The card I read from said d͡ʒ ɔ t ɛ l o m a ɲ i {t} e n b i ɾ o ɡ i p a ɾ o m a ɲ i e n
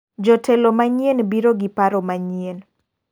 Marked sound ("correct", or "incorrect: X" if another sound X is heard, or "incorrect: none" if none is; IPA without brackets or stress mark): incorrect: none